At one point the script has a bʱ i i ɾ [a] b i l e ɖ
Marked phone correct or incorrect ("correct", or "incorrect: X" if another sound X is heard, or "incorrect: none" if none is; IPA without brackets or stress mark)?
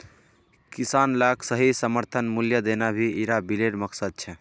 correct